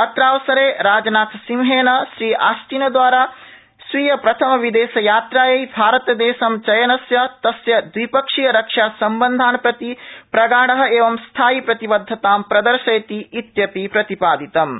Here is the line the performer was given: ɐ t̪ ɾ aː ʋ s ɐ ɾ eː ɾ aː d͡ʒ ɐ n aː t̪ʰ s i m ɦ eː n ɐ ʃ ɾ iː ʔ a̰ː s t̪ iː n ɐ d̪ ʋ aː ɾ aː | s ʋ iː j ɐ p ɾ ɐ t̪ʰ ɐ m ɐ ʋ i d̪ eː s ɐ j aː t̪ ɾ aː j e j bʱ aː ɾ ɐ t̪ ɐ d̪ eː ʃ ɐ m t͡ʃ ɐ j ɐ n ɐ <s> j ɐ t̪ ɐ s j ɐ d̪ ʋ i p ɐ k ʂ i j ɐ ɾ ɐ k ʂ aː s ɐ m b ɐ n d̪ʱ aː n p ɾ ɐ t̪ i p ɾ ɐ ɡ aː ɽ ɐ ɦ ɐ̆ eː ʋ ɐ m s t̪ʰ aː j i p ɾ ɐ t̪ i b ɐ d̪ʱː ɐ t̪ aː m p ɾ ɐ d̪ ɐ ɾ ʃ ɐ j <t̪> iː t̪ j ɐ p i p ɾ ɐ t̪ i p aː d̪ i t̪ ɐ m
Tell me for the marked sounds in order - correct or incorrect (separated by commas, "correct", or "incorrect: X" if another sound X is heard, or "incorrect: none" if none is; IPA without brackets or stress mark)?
correct, correct